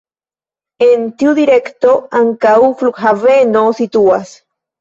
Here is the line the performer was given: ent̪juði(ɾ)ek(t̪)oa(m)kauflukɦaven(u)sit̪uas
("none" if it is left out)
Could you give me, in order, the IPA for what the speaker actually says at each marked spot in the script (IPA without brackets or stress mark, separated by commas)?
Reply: ɾ, t̪, ŋ, o